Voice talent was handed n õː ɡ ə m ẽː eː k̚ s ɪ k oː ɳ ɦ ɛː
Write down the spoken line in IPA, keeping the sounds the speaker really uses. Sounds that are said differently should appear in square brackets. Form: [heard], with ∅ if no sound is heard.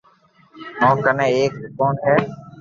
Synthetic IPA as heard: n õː [k] ə [n] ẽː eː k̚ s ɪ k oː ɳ ɦ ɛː